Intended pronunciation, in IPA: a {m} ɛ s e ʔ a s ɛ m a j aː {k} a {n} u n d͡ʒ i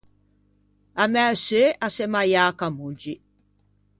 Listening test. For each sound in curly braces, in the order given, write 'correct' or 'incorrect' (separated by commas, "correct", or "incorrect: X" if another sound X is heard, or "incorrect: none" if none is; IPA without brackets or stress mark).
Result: correct, correct, incorrect: m